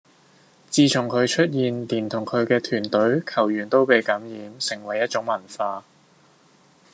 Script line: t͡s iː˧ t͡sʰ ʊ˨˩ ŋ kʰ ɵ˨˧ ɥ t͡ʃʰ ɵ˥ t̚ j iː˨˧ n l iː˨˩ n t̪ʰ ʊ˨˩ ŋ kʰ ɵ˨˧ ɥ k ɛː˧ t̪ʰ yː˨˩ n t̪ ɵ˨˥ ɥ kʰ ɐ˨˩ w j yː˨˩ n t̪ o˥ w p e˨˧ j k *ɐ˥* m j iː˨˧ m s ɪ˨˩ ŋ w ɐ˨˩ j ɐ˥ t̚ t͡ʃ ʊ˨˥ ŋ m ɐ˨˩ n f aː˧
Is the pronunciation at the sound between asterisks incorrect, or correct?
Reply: incorrect